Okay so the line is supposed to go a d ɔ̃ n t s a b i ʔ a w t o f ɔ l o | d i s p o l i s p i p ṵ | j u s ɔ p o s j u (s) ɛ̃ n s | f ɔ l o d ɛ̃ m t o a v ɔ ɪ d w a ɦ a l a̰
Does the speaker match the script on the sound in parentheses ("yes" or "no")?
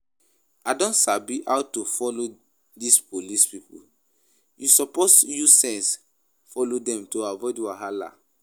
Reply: yes